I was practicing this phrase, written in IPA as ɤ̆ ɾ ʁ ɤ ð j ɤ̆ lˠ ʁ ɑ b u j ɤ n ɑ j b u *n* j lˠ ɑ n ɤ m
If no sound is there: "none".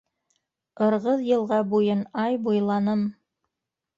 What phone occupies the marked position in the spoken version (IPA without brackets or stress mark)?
none